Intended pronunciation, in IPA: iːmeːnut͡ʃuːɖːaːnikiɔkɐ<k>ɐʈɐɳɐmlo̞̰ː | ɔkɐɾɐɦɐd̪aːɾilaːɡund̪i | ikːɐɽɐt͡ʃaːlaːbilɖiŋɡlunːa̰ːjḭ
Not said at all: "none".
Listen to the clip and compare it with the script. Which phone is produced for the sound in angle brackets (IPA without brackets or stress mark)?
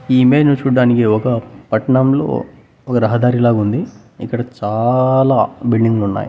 p